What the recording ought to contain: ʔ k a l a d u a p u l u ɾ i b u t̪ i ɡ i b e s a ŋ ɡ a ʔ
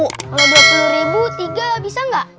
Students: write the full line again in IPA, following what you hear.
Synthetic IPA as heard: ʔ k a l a d u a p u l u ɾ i b u t̪ i ɡ a b i s a ŋ ɡ a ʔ